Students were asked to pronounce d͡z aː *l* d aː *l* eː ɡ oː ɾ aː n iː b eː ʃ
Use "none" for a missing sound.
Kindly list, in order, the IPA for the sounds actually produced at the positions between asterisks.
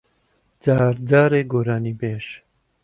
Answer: ɾ, ɾ

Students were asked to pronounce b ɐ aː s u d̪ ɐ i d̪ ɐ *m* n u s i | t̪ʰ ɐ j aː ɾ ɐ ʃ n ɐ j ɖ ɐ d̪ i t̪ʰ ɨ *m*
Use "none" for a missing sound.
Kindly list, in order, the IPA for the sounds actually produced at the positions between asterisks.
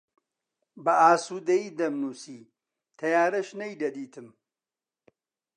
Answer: m, m

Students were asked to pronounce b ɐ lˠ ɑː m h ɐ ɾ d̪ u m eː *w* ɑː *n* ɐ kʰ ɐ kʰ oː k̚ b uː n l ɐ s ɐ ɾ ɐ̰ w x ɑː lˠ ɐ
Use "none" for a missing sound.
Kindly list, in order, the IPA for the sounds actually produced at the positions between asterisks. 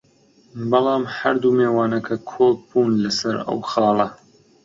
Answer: w, n

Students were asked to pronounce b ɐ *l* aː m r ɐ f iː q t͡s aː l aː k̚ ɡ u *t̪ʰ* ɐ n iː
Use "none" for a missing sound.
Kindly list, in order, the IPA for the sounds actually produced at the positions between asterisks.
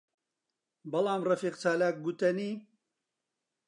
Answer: l, t̪

